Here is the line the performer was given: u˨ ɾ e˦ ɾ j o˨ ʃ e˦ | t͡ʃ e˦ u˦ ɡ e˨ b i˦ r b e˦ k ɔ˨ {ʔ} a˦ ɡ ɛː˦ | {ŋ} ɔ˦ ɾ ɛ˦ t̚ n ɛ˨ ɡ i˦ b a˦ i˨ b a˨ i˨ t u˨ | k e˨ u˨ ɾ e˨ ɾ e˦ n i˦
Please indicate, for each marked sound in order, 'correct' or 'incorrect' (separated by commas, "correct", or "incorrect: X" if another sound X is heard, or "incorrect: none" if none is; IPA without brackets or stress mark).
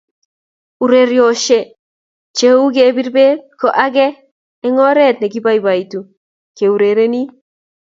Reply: correct, correct